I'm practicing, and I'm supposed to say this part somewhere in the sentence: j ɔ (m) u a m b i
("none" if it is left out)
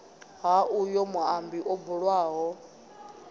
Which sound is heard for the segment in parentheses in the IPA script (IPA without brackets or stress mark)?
m